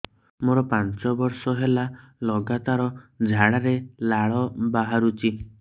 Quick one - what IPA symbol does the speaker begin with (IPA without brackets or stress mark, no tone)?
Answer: m